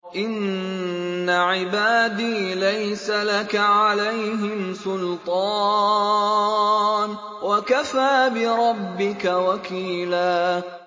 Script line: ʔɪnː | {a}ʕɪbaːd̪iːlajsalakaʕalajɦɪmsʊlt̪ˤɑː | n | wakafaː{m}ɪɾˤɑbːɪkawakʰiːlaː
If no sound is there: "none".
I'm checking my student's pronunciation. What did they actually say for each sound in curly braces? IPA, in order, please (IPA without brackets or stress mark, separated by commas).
a, b